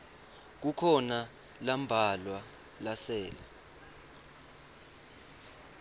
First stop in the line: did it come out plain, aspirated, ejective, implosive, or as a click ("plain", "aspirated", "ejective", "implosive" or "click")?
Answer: plain